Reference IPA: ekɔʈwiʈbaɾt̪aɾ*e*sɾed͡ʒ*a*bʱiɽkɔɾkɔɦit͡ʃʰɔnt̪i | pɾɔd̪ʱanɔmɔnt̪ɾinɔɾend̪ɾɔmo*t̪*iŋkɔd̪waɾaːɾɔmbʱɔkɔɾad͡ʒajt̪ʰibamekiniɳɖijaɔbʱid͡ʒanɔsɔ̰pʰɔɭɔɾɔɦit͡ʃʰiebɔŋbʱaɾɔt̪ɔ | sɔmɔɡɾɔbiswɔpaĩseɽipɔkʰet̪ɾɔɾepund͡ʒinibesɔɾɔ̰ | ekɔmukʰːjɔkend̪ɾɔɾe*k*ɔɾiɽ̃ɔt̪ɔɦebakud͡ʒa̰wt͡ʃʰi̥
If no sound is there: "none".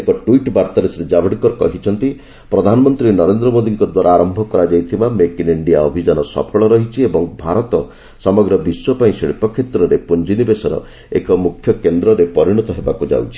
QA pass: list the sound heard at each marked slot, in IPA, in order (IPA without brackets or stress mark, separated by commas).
e, a, d̪, p